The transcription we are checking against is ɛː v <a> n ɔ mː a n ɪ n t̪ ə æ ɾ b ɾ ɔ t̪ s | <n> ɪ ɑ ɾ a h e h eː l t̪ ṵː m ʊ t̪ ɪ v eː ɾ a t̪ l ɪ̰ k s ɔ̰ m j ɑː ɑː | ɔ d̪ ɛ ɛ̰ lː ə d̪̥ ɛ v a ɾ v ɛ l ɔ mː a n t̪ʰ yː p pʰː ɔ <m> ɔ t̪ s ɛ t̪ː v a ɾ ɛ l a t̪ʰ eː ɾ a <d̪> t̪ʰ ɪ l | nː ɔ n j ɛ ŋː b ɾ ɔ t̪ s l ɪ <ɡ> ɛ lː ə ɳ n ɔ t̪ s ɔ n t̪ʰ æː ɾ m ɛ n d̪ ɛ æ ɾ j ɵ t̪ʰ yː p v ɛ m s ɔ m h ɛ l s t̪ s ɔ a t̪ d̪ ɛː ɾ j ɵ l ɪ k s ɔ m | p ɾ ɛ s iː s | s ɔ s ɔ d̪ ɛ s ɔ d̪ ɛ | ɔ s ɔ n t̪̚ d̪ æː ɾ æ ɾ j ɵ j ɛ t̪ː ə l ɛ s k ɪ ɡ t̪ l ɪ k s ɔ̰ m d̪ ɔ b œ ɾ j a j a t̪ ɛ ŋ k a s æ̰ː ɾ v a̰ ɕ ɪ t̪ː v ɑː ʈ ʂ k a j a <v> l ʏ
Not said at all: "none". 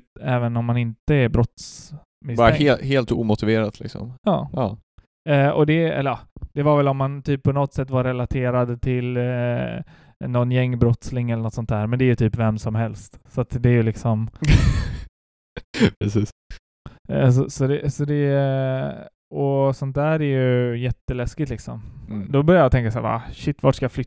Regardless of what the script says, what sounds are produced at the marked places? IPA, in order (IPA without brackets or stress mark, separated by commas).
ə, m, n, d̪, ŋ, f